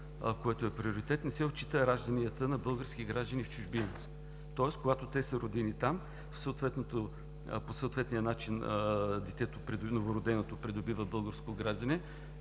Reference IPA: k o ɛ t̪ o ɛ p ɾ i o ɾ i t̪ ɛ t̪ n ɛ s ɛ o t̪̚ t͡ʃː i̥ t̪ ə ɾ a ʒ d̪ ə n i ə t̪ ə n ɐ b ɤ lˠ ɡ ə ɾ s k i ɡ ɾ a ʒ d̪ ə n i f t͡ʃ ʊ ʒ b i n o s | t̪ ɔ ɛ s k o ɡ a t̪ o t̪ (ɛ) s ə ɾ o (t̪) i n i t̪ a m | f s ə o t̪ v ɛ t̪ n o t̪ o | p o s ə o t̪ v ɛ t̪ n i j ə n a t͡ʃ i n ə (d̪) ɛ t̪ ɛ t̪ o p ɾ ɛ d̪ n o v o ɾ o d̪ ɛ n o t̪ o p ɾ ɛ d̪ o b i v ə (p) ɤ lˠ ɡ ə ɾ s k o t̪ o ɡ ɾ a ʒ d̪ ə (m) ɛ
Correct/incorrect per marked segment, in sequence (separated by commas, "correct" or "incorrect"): correct, incorrect, correct, incorrect, incorrect